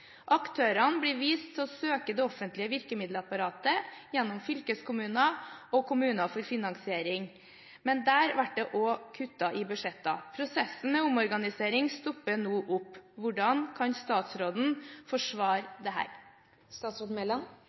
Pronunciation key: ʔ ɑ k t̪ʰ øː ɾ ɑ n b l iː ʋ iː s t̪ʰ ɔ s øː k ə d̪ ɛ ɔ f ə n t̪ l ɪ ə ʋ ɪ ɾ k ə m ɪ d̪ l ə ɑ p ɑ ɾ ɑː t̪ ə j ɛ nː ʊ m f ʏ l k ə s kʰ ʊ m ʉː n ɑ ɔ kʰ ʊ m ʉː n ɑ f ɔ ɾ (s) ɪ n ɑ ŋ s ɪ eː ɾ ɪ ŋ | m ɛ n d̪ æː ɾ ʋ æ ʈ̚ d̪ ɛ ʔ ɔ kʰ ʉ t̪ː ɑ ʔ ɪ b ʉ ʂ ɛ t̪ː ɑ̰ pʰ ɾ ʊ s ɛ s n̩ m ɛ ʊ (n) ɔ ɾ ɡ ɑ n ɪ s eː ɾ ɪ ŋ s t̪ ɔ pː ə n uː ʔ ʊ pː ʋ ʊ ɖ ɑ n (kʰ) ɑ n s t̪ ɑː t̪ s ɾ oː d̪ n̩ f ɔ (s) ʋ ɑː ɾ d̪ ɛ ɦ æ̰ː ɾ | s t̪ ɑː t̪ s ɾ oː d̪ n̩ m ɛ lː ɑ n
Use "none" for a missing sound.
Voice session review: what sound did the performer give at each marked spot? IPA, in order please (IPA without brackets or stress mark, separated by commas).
f, m, kʰ, ʂ